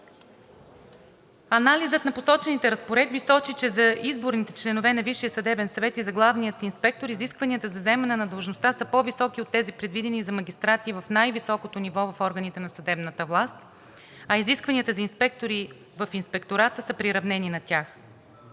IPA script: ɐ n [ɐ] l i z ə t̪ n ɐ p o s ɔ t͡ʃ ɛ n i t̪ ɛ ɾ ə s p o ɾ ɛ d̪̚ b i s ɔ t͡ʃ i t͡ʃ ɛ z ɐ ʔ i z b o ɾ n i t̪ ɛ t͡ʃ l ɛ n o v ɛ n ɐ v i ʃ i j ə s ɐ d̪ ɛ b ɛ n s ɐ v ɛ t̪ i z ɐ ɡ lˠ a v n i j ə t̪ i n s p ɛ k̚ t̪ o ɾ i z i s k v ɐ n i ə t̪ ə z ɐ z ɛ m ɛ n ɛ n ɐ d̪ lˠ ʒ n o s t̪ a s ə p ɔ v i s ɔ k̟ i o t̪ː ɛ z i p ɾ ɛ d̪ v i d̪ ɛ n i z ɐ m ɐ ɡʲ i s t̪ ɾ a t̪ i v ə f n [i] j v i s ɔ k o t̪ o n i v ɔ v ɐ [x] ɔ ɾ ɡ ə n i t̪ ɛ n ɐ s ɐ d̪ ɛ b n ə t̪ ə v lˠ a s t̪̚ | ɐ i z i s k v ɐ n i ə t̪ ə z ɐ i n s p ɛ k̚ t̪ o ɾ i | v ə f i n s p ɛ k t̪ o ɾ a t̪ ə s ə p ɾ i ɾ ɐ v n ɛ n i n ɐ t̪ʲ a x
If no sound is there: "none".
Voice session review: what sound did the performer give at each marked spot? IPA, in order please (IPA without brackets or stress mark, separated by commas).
a, a, f